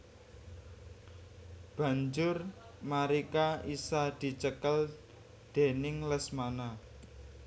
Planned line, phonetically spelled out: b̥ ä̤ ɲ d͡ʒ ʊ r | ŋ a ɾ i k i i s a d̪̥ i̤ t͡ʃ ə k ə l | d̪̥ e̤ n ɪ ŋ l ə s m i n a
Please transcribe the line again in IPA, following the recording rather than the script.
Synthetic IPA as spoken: b̥ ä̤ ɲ d͡ʒ ʊ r | m a ɾ i k a i s a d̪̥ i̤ t͡ʃ ə k ə l | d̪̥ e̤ n ɪ ŋ l ə s m a n a

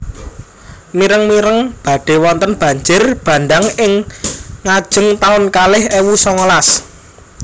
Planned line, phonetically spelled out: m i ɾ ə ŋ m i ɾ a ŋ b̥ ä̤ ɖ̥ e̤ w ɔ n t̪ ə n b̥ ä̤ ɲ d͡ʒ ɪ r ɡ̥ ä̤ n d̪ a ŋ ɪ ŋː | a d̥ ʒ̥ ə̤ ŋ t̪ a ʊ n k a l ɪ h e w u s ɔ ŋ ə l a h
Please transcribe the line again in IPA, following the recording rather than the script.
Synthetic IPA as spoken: m i ɾ ə ŋ m i ɾ ə ŋ b̥ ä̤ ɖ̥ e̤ w ɔ n t̪ ə n b̥ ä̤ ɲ d͡ʒ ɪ r b̥ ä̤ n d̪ a ŋ ɪ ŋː | a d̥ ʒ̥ ə̤ ŋ t̪ a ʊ n k a l ɪ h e w u s ɔ ŋ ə l a s

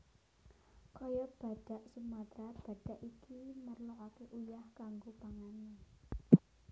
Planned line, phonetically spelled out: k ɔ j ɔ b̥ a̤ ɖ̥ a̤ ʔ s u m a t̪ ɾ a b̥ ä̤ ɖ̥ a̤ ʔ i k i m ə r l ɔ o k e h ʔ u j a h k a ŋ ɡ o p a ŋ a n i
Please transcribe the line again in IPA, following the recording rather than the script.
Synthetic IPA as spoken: k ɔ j ɔ b̥ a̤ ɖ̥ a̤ ʔ s u m a t̪ ɾ a b̥ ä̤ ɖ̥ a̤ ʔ i k i m ə r l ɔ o k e ʔ u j a h k a ŋ ɡ o p a ŋ a n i

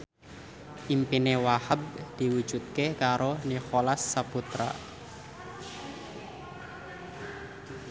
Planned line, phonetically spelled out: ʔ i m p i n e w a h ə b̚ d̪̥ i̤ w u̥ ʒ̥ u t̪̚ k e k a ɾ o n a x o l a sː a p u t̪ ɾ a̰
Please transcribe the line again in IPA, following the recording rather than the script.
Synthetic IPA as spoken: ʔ i m p i n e w a h ə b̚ d̪̥ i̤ w u̥ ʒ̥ u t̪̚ k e k a ɾ o n i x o l a sː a p u t̪ ɾ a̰

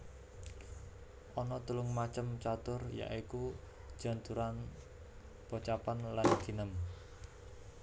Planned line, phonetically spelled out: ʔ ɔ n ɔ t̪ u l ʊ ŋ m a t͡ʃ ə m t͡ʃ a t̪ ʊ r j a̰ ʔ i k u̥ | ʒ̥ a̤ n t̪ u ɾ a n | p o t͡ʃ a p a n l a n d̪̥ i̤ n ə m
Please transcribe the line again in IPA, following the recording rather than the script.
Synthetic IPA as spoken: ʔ ɔ n ɔ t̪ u l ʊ ŋ m a t͡ʃ ə m t͡ʃ a t̪ ʊ r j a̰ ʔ i k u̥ | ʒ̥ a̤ n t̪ u ɾ a n | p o t͡ʃ a p a n l a n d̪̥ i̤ n ə m

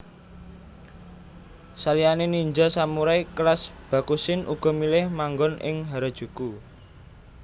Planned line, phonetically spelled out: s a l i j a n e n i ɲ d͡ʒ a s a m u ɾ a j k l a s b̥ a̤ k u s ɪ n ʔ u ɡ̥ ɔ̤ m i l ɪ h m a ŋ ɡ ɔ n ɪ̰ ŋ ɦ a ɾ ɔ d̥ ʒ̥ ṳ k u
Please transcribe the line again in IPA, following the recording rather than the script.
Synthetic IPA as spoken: s a l i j a n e n i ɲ d͡ʒ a s a m u ɾ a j k l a s b̥ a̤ k u s ɪ n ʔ u ɡ̥ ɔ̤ m i l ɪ h m a ŋ ɡ ɔ n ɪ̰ ŋ ɦ a ɾ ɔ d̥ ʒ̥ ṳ k u

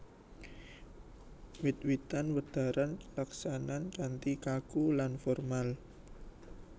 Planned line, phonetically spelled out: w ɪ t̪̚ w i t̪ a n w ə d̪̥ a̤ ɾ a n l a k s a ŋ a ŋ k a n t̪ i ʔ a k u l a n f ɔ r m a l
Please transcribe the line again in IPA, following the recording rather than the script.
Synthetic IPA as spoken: w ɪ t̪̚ w i t̪ a n w ə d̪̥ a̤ ɾ a n l a k s a n a n k a n t̪ i k a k u l a n f ɔ r m a l

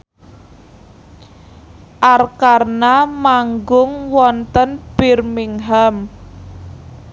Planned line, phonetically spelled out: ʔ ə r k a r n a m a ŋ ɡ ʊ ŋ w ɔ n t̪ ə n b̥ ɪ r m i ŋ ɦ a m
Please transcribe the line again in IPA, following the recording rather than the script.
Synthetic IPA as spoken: ʔ a r k a r n a m a ŋ ɡ ʊ ŋ w ɔ n t̪ ə n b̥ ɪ r m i ŋ ɦ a m

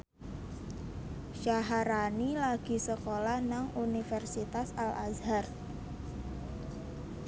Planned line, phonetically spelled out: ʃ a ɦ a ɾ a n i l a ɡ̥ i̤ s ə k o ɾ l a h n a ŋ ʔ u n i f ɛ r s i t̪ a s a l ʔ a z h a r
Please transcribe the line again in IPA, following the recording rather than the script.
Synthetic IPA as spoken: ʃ a ɦ a ɾ a n i l a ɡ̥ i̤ s ə k o l a h n a ŋ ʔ u n i f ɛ r s i t̪ a s a l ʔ a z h a r

